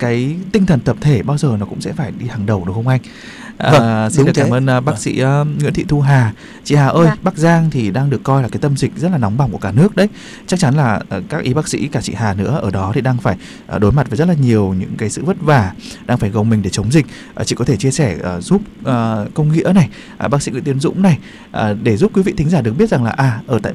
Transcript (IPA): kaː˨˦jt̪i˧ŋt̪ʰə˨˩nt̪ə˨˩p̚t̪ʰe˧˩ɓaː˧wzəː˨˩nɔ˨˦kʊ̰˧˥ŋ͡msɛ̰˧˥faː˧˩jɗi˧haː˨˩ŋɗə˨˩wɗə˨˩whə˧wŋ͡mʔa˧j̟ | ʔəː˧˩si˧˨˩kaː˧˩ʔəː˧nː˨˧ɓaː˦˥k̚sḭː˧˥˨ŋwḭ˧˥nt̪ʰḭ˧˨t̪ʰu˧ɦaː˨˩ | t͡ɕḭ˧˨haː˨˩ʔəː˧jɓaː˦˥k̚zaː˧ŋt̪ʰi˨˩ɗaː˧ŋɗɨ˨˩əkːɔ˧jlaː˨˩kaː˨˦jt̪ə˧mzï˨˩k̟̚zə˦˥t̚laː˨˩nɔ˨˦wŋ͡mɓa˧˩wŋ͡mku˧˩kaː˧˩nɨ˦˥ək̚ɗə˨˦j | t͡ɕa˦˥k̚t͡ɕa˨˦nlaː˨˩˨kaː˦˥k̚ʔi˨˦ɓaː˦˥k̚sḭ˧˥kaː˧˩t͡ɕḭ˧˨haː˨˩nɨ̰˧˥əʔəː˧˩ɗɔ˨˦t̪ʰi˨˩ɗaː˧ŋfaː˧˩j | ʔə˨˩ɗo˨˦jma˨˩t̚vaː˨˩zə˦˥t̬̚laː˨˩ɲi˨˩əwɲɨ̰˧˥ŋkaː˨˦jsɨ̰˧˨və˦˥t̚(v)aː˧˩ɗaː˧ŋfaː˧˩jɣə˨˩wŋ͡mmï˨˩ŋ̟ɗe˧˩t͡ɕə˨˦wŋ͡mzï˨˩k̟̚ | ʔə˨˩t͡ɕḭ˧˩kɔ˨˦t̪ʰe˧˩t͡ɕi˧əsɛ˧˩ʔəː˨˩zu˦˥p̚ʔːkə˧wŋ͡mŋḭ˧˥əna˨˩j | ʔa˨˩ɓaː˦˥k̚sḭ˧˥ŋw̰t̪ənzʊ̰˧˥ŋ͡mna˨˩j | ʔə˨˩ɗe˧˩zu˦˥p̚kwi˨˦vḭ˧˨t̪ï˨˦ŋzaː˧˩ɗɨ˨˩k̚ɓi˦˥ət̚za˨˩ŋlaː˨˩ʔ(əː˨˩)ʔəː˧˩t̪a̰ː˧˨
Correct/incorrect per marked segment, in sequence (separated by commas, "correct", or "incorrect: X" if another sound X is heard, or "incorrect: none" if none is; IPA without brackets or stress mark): correct, incorrect: aː˨˩